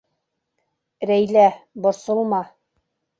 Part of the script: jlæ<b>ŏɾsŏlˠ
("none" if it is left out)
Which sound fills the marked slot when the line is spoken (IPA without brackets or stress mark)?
b